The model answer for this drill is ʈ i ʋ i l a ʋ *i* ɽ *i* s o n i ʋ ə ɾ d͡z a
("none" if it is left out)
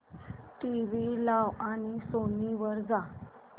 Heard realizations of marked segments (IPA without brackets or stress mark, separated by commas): a, i